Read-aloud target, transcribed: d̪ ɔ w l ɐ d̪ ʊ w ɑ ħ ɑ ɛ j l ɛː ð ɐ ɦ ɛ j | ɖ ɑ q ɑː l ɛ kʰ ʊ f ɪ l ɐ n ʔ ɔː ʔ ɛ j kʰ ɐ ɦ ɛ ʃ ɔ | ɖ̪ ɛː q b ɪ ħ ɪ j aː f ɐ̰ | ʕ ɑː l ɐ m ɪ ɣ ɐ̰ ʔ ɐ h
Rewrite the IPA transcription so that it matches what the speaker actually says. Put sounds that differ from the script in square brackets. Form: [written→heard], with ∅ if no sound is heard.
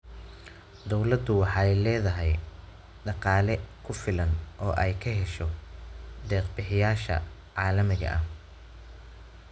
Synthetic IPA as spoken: d̪ ɔ w l ɐ d̪ ʊ w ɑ ħ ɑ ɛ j l ɛː ð ɐ ɦ ɛ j | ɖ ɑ q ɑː l ɛ kʰ ʊ f ɪ l ɐ n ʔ ɔː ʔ ɛ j kʰ ɐ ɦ ɛ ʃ ɔ | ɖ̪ ɛː q b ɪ ħ ɪ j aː [f→ʃ] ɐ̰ | ʕ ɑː l ɐ m ɪ ɣ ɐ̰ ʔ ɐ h